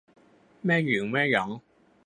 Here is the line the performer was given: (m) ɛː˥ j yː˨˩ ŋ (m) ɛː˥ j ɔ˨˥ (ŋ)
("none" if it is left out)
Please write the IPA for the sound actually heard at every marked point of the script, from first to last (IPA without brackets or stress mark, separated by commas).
m, m, ŋ